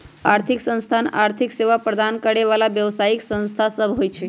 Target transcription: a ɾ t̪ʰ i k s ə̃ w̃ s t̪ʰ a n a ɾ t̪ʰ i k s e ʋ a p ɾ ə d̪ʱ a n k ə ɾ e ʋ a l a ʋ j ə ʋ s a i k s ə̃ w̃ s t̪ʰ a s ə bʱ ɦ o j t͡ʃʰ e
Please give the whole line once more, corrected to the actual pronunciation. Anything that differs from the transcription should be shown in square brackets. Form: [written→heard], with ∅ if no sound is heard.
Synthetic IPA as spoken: a ɾ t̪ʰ i k s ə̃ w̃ s t̪ʰ a n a ɾ t̪ʰ i k s e ʋ a p ɾ ə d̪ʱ a n k ə [ɾ→ɽ] e ʋ a l a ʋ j ə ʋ s a i k s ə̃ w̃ s t̪ʰ a s ə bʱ ɦ o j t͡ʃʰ e